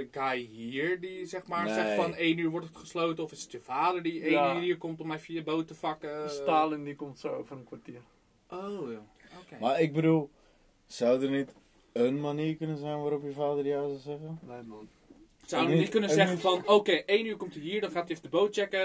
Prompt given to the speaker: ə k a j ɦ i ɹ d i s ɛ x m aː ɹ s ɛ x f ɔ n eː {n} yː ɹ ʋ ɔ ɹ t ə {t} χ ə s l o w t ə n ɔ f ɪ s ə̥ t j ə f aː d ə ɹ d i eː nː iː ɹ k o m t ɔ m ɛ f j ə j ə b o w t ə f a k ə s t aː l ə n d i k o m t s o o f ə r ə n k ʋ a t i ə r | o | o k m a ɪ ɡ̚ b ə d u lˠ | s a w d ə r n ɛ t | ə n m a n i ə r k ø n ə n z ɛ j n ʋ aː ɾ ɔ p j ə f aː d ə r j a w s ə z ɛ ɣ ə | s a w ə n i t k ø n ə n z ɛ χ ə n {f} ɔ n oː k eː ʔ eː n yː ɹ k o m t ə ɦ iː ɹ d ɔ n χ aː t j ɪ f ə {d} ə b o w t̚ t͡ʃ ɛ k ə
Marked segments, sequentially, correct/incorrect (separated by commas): correct, correct, correct, correct